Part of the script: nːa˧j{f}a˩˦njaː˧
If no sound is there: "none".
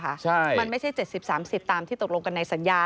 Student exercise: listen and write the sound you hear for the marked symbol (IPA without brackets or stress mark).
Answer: s